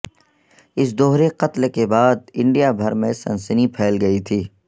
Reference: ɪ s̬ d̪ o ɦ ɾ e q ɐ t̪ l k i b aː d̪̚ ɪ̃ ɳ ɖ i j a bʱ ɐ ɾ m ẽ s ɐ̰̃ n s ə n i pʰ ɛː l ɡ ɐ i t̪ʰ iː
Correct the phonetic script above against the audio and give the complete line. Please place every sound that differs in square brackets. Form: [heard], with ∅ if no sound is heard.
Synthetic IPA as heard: ɪ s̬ d̪ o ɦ ɾ e q ɐ t̪ l k [e] b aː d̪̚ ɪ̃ ɳ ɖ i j a bʱ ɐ ɾ m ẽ s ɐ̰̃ n s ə n i pʰ ɛː l ɡ ɐ i t̪ʰ iː